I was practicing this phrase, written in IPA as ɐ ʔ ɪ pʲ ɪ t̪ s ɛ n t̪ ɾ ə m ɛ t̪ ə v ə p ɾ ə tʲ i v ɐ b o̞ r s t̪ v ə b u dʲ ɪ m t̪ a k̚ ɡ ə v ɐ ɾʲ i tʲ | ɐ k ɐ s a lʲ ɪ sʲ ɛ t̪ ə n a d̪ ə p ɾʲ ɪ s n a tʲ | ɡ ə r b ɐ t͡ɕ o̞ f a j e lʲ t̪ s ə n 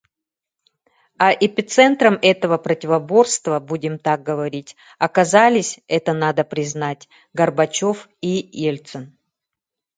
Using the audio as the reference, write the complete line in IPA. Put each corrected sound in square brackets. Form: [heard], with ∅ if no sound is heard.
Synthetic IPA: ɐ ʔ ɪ pʲ ɪ t̪ s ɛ n t̪ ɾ ə m ɛ t̪ ə v ə p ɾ ə tʲ [ɪ] v ɐ b o̞ r s t̪ v ə b u dʲ ɪ m t̪ a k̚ ɡ ə v ɐ ɾʲ i tʲ | ɐ k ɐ [z] a lʲ ɪ sʲ ɛ t̪ ə n a d̪ ə p ɾʲ ɪ [z] n a tʲ | ɡ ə r b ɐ t͡ɕ o̞ f [i] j e lʲ t̪ s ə n